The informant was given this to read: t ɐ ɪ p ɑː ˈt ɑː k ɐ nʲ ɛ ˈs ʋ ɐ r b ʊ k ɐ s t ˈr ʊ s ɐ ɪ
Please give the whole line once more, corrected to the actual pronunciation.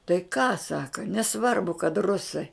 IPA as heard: t ɐ ɪ k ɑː ˈs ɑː k ɐ nʲ ɛ ˈs ʋ ɐ r b ʊ k ɐ t ˈr ʊ s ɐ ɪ